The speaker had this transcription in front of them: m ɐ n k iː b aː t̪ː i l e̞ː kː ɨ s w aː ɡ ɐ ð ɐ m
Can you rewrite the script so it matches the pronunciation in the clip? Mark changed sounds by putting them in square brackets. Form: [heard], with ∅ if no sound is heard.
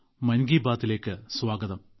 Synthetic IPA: m ɐ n [ɡ] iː b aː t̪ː i l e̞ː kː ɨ s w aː ɡ ɐ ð ɐ m